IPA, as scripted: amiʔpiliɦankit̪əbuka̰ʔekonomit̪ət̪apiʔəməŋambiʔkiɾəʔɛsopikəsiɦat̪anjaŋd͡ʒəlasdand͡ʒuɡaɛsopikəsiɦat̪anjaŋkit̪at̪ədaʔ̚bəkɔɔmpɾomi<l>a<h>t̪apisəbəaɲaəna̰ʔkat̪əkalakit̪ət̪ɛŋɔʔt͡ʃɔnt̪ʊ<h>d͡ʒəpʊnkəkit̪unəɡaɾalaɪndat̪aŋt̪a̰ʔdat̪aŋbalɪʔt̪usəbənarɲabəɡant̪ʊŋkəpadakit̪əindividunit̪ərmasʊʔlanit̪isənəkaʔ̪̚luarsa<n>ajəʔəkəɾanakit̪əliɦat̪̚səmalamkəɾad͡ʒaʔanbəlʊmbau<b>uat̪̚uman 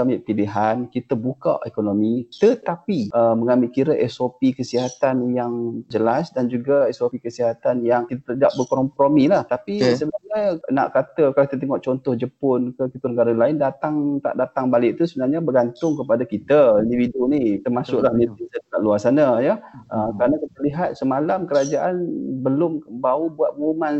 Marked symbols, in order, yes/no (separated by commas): yes, yes, yes, yes, yes